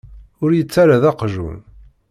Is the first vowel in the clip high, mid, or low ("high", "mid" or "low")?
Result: high